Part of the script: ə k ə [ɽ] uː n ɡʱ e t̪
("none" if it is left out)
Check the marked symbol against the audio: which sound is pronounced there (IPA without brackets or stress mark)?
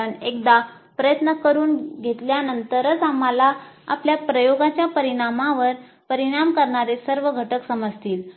ɾ